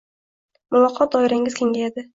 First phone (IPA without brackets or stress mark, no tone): m